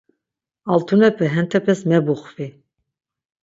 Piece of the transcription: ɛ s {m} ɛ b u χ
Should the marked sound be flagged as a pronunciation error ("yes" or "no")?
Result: no